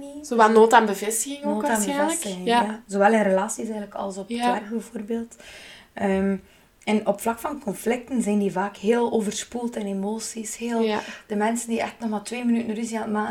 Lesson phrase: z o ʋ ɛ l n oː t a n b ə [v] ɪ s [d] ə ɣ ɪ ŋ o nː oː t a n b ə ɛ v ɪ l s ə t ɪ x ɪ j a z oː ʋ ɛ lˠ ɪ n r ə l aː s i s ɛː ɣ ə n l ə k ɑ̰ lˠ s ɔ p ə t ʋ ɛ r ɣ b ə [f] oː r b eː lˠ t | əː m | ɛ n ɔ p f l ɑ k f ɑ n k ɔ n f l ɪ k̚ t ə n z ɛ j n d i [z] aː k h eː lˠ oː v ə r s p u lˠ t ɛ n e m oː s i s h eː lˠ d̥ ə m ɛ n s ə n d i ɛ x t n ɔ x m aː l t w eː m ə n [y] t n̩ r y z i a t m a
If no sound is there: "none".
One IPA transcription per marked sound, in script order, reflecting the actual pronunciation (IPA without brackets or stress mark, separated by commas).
v, t, v, v, y